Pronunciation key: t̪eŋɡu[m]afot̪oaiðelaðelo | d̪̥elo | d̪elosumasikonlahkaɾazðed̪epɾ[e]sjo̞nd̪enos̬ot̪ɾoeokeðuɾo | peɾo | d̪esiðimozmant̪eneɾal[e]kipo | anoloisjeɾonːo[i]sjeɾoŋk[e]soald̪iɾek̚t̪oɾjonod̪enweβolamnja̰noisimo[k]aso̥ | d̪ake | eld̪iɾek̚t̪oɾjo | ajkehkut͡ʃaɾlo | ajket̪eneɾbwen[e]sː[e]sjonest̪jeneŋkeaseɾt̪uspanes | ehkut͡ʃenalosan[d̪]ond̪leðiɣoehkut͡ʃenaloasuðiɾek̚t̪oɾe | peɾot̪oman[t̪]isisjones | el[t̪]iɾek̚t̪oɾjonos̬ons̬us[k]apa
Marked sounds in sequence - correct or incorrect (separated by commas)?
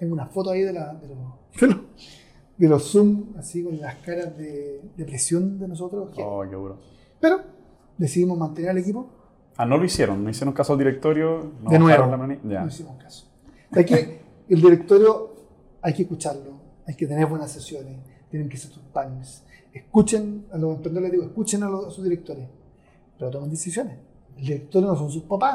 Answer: incorrect, correct, correct, correct, incorrect, correct, incorrect, correct, incorrect, incorrect, incorrect, incorrect